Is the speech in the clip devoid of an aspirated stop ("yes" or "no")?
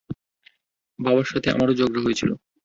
no